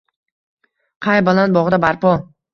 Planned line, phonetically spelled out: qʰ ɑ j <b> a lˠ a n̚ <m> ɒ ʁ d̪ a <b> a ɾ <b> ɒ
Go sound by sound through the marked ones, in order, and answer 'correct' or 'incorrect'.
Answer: correct, incorrect, correct, incorrect

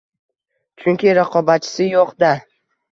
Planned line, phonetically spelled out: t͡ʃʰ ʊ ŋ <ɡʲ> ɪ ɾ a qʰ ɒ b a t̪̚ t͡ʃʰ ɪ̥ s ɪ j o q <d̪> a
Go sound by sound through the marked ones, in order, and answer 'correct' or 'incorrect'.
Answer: incorrect, correct

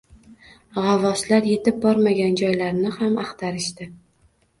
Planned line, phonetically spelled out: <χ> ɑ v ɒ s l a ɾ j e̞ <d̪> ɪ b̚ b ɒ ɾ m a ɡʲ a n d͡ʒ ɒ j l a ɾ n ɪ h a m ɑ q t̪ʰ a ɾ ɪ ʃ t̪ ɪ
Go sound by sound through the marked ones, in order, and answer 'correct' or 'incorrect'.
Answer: incorrect, incorrect

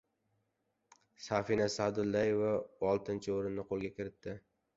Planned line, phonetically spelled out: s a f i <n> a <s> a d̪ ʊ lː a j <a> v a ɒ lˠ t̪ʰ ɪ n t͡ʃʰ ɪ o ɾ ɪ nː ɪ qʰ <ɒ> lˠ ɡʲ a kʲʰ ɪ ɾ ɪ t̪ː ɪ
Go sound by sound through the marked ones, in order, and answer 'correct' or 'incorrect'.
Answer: correct, correct, incorrect, incorrect

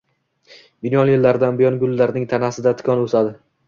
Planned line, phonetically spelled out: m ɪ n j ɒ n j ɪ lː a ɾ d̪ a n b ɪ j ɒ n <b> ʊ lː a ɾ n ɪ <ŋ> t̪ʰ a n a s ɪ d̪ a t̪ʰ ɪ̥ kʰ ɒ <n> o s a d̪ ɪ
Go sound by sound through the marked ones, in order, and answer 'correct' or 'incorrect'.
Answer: incorrect, correct, correct

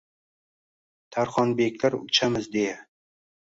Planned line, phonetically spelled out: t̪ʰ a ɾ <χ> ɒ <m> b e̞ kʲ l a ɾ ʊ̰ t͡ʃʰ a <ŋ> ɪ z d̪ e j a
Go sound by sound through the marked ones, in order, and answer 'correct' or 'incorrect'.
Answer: correct, incorrect, incorrect

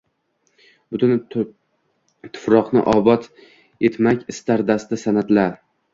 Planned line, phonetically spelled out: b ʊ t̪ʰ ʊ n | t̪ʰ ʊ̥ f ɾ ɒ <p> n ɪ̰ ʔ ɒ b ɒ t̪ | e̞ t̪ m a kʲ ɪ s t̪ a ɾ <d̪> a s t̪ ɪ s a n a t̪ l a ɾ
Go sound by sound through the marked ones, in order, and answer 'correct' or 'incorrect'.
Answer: incorrect, correct

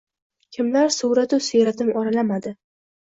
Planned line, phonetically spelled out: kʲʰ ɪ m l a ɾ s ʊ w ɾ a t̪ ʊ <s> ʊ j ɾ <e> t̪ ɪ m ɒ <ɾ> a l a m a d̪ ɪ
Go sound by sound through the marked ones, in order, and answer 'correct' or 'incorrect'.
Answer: correct, incorrect, correct

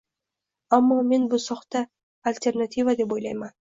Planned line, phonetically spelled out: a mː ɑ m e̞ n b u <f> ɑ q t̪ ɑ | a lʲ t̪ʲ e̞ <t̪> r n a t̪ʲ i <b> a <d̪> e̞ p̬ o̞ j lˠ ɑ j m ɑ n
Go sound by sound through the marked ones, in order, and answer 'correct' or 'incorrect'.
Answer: incorrect, incorrect, incorrect, correct

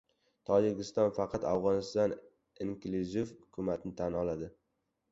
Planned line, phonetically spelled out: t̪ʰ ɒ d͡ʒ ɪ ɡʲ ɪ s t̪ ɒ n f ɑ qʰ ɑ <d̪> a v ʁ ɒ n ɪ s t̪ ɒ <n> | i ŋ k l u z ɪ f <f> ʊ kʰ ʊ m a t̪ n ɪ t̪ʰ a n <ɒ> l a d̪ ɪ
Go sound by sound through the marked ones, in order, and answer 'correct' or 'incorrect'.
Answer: incorrect, correct, incorrect, correct

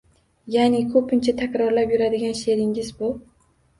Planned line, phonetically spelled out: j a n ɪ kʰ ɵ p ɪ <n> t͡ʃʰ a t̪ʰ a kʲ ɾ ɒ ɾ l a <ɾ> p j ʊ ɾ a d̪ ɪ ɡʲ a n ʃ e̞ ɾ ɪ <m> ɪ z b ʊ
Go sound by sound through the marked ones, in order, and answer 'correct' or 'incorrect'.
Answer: correct, incorrect, incorrect

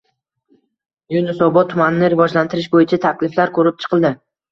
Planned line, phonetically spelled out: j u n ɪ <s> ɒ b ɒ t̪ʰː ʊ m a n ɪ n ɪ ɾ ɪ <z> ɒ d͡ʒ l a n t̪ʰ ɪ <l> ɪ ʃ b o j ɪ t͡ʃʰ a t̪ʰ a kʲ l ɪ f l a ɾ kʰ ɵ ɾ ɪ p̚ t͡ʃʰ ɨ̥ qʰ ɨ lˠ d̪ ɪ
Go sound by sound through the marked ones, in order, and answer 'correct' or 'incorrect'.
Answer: correct, incorrect, incorrect

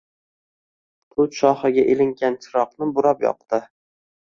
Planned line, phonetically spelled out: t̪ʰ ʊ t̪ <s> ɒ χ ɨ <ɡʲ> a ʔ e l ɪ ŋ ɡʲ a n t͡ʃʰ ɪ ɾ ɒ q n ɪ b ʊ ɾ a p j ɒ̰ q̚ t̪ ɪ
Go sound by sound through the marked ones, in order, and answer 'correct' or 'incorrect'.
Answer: incorrect, correct

